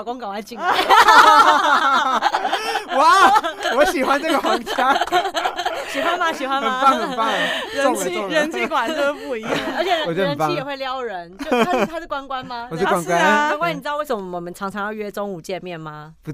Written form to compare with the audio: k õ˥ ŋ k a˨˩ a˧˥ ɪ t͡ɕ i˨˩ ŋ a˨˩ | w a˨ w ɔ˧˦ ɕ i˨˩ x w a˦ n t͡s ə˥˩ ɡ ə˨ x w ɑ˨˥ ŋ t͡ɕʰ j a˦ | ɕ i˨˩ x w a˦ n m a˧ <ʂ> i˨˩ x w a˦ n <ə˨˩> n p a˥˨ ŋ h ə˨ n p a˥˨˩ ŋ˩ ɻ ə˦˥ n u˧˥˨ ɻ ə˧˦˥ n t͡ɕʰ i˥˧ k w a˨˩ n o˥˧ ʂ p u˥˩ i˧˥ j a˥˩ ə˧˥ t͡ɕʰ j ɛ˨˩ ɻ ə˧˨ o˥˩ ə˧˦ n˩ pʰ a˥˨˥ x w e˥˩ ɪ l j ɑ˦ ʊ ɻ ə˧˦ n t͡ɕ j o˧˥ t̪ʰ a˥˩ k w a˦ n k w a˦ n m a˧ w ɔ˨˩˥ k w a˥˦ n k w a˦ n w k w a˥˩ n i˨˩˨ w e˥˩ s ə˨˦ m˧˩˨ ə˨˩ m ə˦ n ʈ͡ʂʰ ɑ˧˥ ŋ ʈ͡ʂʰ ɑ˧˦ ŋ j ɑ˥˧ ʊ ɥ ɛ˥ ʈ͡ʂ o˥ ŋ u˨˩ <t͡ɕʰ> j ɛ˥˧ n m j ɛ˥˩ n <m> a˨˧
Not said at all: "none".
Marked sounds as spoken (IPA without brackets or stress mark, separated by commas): ɕ, ə˨˩, t͡ɕ, m